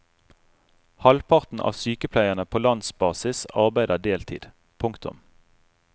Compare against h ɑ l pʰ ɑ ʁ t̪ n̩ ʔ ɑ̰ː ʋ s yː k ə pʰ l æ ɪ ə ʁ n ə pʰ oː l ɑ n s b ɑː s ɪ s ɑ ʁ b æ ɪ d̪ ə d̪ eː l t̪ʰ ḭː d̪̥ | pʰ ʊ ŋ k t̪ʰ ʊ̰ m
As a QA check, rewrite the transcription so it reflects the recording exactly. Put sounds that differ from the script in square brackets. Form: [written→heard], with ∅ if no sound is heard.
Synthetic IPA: h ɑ l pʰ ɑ ʁ t̪ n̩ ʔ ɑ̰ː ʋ s yː k ə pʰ l æ ɪ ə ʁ n ə pʰ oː l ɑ n s b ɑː s ɪ s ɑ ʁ b æ ɪ d̪ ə d̪ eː l t̪ʰ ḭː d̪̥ | pʰ ʊ ŋ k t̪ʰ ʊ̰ m